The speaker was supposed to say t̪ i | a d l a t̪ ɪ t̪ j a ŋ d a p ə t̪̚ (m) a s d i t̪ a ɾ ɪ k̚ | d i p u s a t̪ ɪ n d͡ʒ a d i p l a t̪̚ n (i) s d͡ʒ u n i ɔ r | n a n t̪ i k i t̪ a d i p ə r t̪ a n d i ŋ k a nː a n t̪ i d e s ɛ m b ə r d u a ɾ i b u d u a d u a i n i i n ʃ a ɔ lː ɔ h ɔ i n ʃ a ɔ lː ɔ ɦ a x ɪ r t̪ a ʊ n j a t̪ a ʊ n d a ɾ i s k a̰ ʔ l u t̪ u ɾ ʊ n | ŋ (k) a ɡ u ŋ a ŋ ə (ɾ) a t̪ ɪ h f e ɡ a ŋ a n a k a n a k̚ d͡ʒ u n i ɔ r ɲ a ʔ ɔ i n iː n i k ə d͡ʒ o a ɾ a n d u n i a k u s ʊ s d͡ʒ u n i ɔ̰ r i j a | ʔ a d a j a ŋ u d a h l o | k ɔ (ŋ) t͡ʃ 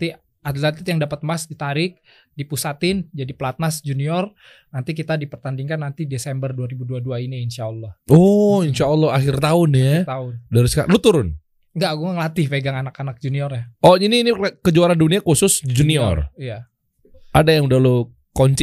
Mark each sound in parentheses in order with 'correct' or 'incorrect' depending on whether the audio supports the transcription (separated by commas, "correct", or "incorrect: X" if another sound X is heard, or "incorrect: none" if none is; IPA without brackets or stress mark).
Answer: correct, incorrect: a, incorrect: ɡ, incorrect: l, incorrect: ɲ